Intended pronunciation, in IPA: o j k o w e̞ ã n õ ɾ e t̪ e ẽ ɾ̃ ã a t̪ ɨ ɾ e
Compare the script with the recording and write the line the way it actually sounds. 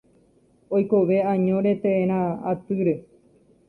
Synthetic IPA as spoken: o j k o ʋ e̞ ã ɲ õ ɾ e t̪ e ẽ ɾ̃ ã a t̪ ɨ ɾ e